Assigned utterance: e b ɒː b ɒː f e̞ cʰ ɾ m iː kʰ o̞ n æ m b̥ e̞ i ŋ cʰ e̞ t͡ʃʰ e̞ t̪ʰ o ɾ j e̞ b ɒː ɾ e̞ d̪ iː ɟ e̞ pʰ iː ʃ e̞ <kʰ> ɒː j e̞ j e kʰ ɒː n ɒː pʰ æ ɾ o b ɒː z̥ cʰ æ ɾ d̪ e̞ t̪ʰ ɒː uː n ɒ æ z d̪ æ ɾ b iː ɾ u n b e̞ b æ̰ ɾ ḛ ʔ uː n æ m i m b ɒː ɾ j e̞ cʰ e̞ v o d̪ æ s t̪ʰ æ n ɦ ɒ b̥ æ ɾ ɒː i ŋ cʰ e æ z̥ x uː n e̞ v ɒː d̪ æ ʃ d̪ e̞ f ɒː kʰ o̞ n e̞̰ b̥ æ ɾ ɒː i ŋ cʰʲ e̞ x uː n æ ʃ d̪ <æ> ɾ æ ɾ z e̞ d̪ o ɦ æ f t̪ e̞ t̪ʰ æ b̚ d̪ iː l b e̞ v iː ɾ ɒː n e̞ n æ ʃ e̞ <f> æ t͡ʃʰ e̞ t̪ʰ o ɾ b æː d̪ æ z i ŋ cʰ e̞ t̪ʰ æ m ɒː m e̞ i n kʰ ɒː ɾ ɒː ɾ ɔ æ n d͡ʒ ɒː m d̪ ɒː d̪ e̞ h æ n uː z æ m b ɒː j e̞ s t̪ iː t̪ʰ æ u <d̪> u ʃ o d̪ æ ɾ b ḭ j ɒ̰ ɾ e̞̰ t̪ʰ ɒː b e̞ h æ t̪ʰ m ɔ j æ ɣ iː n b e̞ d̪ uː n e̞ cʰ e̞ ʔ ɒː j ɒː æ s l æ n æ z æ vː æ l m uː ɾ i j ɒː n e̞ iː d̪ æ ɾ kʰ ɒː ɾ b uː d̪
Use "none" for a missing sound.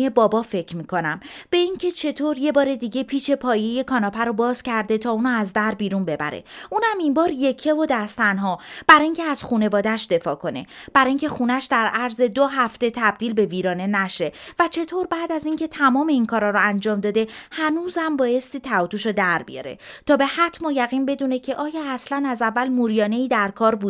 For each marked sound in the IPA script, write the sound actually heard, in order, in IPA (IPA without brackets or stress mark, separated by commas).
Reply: pʰ, æ, v, t̪